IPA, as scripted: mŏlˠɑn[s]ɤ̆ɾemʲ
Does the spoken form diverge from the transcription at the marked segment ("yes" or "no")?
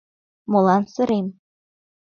no